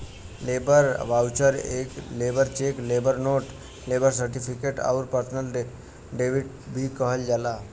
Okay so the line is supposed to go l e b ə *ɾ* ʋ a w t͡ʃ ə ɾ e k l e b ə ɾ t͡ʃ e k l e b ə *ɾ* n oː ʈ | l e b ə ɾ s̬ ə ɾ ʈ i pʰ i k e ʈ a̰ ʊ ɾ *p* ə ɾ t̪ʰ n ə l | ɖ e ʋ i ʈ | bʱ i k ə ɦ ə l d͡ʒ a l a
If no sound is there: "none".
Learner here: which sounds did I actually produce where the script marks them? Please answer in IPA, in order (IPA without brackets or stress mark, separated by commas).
ɾ, ɾ, p